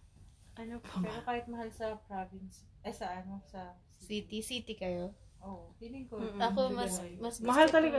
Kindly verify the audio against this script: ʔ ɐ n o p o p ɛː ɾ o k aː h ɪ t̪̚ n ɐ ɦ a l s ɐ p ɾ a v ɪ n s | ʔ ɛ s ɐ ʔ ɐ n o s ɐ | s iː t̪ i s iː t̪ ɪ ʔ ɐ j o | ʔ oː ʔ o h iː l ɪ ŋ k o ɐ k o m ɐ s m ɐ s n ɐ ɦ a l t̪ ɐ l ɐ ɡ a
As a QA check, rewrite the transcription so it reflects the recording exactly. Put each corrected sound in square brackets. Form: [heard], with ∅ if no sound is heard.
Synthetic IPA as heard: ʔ ɐ n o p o p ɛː ɾ o k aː h ɪ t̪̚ [m] ɐ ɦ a l s ɐ p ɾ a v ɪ n s | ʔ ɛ s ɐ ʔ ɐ n o s ɐ | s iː t̪ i s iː t̪ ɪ [k] ɐ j o | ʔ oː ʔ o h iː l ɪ ŋ k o ɐ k o m ɐ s m ɐ s [m] ɐ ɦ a l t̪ ɐ l ɐ ɡ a